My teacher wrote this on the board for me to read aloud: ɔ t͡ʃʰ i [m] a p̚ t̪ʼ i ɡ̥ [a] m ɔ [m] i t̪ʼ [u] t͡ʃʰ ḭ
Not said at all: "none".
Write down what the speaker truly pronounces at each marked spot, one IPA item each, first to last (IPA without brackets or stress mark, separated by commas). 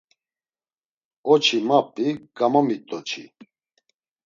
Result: m, a, m, ɔ